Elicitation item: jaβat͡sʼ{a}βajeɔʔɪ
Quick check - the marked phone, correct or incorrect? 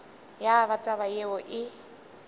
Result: correct